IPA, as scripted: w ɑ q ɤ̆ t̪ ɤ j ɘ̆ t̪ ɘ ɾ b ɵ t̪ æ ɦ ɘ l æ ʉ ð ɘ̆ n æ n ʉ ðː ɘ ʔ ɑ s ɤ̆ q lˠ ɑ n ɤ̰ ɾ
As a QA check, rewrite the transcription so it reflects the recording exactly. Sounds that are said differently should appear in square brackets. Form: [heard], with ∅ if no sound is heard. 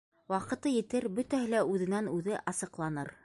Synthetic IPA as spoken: w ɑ q ɤ̆ t̪ ɤ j ɘ̆ t̪ ɘ ɾ b ɵ t̪ æ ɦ ɘ l æ ʉ ð ɘ̆ n æ n ʉ [ð] ɘ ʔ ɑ s ɤ̆ q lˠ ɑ n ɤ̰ ɾ